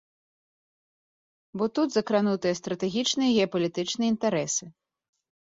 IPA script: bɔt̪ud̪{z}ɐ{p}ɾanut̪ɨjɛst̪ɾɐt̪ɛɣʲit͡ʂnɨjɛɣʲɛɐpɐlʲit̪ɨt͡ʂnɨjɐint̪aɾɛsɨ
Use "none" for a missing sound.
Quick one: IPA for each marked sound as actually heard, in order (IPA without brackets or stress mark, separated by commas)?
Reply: z, k